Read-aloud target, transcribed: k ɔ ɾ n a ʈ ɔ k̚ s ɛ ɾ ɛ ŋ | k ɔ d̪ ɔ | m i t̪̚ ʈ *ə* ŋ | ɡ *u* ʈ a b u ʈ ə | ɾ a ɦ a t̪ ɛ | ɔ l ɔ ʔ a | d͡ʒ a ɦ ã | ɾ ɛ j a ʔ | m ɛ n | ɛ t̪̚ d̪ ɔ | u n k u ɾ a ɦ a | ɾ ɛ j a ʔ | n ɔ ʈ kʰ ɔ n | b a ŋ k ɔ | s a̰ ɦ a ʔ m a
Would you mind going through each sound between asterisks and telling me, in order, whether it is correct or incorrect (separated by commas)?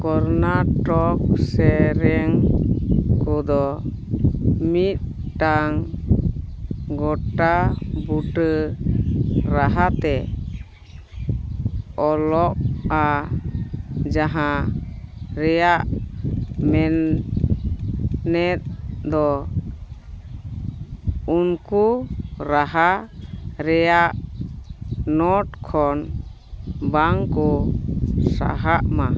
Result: incorrect, incorrect